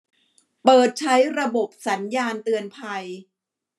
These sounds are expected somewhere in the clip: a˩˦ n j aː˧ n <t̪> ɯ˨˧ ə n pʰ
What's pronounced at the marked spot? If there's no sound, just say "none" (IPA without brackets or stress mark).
t̪